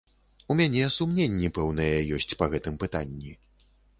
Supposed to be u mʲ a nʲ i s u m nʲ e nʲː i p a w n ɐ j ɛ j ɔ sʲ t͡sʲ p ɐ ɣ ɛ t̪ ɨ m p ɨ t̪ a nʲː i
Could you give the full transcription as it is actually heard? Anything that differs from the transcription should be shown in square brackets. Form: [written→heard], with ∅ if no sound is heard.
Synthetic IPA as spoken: u mʲ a nʲ [i→ɛ] s u m nʲ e nʲː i p [a→ɛ] w n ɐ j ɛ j ɔ sʲ t͡sʲ p ɐ ɣ ɛ t̪ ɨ m p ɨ t̪ a nʲː i